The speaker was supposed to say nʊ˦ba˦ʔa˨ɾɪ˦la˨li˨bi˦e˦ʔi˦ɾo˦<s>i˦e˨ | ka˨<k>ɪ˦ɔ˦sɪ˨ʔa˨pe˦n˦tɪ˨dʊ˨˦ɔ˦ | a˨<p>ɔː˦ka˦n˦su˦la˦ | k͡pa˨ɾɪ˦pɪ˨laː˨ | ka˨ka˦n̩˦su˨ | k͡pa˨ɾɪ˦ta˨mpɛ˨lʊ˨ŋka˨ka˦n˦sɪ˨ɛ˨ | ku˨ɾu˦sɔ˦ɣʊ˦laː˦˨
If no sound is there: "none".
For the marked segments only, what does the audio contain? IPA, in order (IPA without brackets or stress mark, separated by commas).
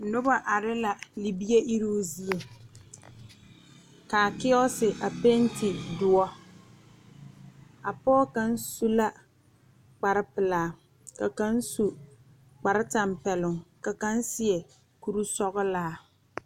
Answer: z, k, p